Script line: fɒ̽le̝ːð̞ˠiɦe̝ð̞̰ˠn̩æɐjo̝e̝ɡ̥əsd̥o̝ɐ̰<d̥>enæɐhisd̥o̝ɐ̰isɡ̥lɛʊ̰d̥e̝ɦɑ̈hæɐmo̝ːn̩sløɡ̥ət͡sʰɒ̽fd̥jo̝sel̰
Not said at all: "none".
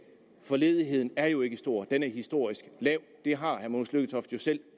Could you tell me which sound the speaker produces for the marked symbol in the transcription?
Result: d̥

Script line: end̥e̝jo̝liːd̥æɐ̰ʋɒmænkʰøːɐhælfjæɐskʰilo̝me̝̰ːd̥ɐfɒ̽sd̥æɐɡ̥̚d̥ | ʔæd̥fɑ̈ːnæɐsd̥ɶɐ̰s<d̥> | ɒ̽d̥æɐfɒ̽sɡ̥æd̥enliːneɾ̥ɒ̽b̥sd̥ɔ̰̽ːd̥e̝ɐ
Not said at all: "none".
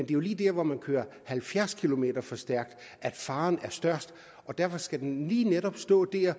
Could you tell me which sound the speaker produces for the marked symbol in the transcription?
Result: d̥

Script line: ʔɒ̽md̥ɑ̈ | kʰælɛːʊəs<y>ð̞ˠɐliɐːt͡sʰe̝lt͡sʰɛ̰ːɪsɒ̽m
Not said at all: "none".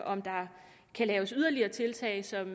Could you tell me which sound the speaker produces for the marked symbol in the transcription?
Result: y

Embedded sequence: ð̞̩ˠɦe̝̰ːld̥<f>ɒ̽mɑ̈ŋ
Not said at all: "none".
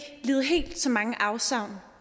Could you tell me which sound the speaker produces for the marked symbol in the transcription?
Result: s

